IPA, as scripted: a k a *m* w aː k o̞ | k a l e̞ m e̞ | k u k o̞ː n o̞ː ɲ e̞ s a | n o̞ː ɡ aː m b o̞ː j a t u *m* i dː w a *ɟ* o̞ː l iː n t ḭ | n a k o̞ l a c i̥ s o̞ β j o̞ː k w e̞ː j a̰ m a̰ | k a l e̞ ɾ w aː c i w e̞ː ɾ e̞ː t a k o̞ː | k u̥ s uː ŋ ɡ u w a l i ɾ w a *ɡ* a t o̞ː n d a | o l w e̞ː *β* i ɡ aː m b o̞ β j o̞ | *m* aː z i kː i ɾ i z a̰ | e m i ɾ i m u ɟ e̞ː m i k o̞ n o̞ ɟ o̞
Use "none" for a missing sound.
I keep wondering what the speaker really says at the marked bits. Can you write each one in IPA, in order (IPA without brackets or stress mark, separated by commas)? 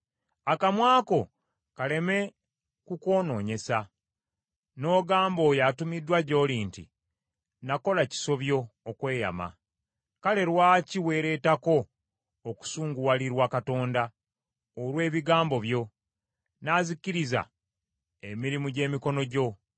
m, m, ɟ, k, β, n